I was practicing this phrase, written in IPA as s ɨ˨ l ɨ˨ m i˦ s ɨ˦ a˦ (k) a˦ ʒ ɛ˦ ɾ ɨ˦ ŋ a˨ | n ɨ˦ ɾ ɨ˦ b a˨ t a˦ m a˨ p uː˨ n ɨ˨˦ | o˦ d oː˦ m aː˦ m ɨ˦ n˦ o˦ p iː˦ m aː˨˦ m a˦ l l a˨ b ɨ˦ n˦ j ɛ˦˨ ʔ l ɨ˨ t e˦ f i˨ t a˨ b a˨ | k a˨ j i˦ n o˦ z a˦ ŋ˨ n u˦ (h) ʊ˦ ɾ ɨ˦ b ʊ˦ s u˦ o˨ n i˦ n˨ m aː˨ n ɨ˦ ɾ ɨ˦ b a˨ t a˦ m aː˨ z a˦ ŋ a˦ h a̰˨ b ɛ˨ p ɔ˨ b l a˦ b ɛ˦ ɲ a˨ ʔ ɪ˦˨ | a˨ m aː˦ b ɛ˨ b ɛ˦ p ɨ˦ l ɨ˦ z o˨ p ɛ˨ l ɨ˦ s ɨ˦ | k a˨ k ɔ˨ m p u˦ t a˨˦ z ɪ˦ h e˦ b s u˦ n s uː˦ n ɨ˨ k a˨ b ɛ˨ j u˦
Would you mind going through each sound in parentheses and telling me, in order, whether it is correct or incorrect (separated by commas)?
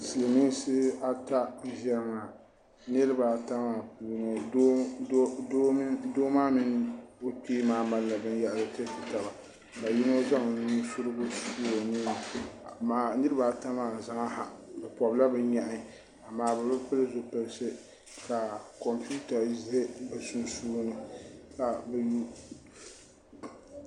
incorrect, incorrect